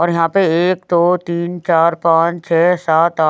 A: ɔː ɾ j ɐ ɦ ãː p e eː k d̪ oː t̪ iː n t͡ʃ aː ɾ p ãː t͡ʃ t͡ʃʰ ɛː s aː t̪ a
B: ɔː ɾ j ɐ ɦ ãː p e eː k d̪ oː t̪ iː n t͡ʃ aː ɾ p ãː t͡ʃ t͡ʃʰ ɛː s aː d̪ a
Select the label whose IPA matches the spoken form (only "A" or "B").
A